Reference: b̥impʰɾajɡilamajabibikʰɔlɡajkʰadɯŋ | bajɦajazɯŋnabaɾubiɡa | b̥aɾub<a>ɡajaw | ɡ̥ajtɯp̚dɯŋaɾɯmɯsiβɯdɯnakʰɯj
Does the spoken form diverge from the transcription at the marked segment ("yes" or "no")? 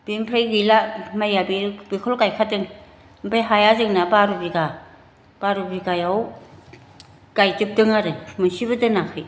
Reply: yes